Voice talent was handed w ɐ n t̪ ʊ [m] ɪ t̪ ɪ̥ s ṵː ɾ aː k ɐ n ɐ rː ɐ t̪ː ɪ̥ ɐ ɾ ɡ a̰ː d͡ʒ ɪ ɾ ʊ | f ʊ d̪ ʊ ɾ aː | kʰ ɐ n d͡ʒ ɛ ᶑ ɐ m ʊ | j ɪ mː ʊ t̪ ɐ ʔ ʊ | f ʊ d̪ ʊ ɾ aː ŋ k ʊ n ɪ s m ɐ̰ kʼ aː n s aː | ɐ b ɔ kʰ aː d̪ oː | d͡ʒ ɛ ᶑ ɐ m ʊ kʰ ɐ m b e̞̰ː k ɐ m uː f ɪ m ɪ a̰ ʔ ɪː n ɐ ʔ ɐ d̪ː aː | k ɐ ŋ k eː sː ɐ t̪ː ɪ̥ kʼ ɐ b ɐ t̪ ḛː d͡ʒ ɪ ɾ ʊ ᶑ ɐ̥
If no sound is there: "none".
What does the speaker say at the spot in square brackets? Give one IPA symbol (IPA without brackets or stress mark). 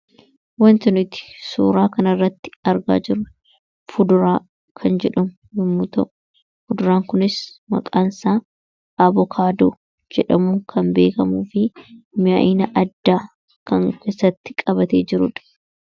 n